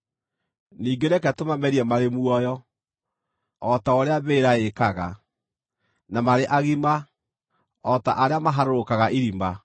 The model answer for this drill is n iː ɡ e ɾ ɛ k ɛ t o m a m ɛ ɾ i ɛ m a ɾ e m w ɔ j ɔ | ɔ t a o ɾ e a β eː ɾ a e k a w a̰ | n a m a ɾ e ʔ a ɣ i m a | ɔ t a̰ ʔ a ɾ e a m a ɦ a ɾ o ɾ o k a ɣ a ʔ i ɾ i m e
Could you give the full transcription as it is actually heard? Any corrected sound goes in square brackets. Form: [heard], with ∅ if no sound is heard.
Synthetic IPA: n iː ɡ e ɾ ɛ k ɛ t o m a m ɛ ɾ i ɛ m a ɾ e m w ɔ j ɔ | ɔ t a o ɾ e a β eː ɾ a e k a [ɣ] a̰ | n a m a ɾ e ʔ a ɣ i m a | ɔ t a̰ ʔ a ɾ e a m a ɦ a ɾ o ɾ o k a ɣ a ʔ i ɾ i m [a]